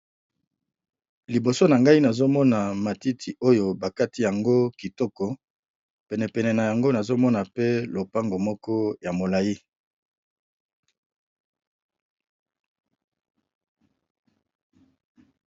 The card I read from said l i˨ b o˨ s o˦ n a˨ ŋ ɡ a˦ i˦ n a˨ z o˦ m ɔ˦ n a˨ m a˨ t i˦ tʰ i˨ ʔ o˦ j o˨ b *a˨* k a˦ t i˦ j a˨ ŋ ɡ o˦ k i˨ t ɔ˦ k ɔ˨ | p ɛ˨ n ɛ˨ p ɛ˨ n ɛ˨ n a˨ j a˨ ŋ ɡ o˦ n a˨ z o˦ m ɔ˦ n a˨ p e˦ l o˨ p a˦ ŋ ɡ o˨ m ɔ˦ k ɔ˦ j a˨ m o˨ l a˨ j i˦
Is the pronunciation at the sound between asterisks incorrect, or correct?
correct